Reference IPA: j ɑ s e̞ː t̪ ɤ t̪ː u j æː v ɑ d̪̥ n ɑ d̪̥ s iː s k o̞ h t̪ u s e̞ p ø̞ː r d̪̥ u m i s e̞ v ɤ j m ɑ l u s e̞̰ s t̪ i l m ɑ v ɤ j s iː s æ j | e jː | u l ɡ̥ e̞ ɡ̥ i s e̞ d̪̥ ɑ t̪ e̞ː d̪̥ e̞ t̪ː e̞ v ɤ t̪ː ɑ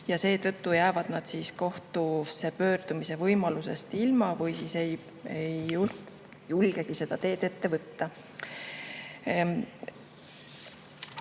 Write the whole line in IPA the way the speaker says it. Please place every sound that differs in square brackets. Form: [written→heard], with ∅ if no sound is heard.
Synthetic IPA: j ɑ s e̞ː t̪ ɤ t̪ː u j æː v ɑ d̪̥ n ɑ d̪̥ s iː s k o̞ h t̪ u s e̞ p ø̞ː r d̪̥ u m i s e̞ v ɤ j m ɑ l u s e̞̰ s t̪ i l m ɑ v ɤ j s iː s [æ→e] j | e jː | u l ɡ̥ e̞ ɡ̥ i s e̞ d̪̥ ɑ t̪ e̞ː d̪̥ e̞ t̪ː e̞ v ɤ t̪ː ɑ

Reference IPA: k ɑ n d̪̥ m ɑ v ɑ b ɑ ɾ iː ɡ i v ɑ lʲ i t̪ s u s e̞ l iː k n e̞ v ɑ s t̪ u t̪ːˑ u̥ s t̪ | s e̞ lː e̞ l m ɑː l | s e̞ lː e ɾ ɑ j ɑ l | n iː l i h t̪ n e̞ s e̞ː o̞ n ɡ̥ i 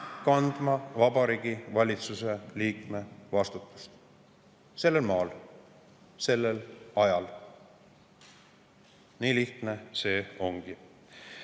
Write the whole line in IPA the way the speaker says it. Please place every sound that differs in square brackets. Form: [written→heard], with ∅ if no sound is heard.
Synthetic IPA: k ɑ n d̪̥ m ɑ v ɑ b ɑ ɾ iː ɡ i v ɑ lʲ i t̪ s u s e̞ l iː k [n→m] e̞ v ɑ s t̪ u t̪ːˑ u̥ s t̪ | s e̞ lː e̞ l m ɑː l | s e̞ lː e [ɾ→l] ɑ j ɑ l | n iː l i h t̪ n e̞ s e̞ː o̞ [n→ŋ] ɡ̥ i

